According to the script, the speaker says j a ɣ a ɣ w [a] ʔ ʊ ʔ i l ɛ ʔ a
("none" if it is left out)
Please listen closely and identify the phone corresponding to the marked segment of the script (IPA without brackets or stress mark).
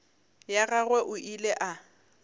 ɛ